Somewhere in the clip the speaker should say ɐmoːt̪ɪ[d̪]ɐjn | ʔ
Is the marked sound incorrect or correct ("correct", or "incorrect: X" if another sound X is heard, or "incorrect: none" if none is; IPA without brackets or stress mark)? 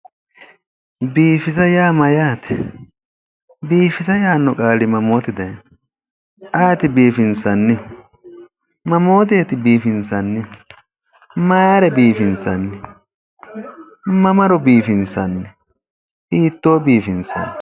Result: correct